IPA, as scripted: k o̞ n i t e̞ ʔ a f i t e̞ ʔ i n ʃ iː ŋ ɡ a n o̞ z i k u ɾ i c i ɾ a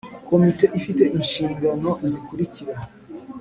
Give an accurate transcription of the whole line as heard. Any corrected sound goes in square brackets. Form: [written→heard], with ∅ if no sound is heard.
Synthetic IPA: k o̞ [n→m] i t e̞ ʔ [a→i] f i t e̞ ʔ i n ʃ iː ŋ ɡ a n o̞ z i k u ɾ i c i ɾ a